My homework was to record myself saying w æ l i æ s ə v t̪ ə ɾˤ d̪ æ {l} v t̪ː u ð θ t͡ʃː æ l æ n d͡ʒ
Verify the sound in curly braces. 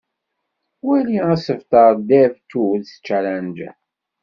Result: incorrect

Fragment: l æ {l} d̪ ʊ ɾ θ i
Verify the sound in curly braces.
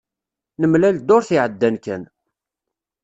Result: correct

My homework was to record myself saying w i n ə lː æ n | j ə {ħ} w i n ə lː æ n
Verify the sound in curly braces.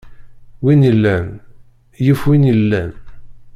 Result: incorrect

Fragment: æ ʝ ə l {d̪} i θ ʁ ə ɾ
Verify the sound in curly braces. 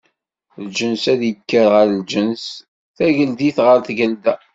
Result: correct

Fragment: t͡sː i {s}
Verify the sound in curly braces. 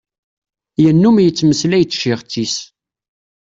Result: correct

